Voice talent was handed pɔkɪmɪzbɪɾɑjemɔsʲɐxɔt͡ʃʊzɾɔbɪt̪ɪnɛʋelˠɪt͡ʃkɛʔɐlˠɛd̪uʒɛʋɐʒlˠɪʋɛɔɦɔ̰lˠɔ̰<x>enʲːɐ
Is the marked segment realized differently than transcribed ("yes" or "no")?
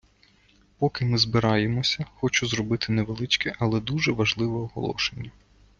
yes